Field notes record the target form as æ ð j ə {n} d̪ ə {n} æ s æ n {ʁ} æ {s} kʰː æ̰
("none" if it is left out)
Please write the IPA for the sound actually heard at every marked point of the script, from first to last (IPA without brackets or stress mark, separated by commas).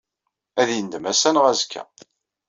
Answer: n, m, ʁ, z